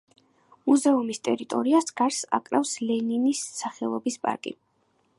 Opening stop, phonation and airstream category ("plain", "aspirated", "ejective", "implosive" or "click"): ejective